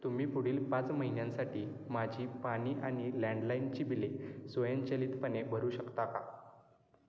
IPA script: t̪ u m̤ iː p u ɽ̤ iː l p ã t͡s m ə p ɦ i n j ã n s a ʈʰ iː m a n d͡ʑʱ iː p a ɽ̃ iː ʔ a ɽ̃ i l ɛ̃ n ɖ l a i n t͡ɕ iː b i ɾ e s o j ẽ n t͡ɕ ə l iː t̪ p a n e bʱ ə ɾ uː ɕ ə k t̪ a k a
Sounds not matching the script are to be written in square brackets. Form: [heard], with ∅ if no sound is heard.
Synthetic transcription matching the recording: t̪ u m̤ iː p u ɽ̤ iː l p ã t͡s m ə [∅] ɦ i n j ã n s a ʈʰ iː m a [∅] d͡ʑʱ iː p a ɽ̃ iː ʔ a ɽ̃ i l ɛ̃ [ɳ] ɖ l a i n t͡ɕ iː b i [l] e s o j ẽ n t͡ɕ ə l iː t̪ p [ə] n e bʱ ə ɾ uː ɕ ə k t̪ a k a